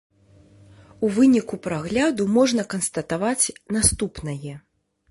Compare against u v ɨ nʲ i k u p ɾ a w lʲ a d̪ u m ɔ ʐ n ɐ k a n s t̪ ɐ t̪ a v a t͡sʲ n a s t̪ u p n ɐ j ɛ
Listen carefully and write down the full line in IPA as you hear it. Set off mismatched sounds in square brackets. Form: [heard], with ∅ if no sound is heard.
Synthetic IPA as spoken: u v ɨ nʲ i k u p ɾ a [ɣ] lʲ a d̪ u m ɔ ʐ n ɐ k [ɐ] n s t̪ ɐ t̪ a v a t͡sʲ n a s t̪ u p n ɐ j ɛ